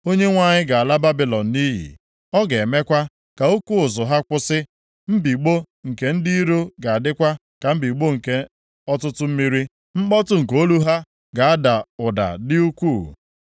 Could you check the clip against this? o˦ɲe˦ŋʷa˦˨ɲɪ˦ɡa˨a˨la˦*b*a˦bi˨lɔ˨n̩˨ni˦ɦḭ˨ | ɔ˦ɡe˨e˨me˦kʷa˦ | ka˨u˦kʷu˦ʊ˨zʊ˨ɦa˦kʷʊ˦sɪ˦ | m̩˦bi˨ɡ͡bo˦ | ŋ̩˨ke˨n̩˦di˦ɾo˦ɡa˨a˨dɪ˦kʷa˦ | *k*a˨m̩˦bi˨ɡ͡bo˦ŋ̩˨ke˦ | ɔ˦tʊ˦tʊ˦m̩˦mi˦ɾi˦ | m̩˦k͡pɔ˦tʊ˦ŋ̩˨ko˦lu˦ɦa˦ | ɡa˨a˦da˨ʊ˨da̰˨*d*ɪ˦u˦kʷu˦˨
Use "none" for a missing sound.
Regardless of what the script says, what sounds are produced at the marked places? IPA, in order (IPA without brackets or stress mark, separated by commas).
b, k, d